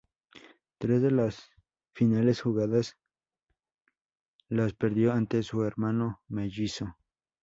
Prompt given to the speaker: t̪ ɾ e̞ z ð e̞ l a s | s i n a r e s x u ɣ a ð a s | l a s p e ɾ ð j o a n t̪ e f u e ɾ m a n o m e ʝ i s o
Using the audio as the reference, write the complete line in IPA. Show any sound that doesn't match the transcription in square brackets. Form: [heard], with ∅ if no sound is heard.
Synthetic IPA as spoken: t̪ ɾ e̞ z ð e̞ l a s | [f] i n a [l] e s x u ɣ a ð a s | l a s p e ɾ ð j o a n t̪ e [s] u e ɾ m a n o m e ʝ i s o